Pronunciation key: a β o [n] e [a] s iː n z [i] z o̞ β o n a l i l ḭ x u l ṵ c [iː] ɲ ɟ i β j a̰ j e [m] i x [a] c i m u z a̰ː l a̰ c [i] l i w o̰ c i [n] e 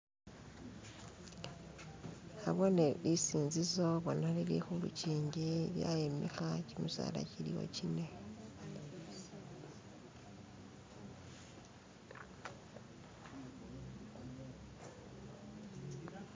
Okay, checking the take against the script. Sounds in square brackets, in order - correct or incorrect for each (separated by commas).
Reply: correct, incorrect, correct, correct, correct, correct, correct, correct